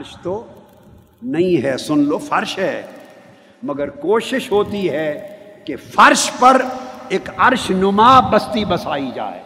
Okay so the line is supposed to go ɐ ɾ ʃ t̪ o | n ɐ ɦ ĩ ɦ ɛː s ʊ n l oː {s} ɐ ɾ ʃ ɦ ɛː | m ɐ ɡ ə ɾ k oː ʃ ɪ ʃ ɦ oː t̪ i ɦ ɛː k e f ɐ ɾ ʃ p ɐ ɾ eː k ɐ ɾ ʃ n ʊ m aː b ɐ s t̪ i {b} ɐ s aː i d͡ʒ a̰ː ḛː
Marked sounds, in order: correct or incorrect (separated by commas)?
incorrect, correct